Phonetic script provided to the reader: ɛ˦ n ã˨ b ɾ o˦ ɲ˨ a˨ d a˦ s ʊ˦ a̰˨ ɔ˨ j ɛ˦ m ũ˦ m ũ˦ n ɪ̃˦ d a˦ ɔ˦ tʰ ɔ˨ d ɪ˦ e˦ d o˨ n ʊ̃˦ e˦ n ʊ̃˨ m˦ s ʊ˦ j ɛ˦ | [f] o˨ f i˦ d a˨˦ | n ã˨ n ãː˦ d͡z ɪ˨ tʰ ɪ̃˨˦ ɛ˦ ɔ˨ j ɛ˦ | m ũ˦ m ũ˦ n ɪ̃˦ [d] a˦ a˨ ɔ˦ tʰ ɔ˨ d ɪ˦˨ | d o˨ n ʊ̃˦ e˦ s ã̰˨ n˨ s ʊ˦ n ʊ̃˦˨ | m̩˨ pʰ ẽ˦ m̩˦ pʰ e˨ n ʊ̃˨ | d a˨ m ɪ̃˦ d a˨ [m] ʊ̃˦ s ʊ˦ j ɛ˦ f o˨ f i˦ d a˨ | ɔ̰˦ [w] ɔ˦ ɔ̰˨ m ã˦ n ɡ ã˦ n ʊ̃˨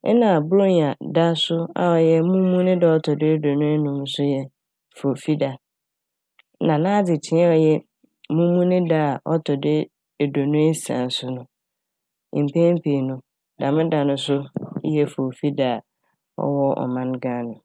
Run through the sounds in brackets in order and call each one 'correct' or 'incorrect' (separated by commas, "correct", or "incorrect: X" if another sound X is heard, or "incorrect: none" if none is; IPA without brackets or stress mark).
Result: correct, correct, incorrect: n, correct